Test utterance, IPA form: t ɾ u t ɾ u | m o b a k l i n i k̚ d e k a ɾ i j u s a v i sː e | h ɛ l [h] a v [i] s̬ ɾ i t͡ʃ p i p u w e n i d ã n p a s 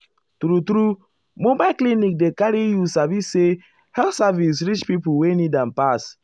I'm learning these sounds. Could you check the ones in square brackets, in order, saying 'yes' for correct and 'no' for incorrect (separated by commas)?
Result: no, yes